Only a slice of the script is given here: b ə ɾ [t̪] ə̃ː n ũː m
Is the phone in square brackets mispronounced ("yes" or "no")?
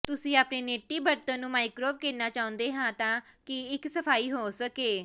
no